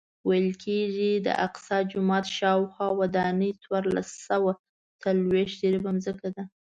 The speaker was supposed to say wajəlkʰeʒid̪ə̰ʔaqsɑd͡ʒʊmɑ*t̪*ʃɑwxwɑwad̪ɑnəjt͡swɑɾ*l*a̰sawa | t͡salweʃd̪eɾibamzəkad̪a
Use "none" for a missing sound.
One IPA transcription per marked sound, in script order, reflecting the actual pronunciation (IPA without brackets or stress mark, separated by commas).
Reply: t̪, l